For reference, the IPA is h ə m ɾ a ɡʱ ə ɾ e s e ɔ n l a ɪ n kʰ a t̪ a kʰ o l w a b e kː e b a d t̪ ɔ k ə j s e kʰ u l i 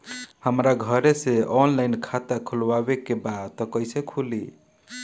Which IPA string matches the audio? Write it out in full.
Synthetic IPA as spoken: h ə m ɾ a ɡʱ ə ɾ e s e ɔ n l a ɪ n kʰ a t̪ a kʰ u l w a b e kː e b a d t̪ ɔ k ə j s e kʰ u l i